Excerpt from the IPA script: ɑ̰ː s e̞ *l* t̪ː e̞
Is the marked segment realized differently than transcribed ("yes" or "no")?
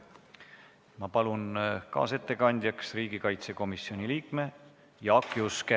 yes